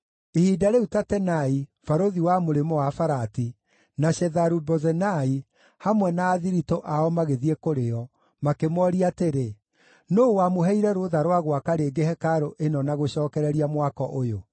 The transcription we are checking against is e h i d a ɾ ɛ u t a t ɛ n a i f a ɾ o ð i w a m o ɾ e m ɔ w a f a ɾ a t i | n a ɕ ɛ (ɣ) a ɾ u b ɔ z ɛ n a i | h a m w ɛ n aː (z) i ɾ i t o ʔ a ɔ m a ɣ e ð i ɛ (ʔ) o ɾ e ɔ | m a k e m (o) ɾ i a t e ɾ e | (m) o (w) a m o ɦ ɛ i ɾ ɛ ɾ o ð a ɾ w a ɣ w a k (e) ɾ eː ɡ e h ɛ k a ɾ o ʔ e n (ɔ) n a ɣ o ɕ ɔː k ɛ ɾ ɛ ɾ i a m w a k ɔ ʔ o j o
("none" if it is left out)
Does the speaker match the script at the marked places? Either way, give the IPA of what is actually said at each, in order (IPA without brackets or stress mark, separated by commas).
ð, ð, k, ɔ, n, w, a, ɔ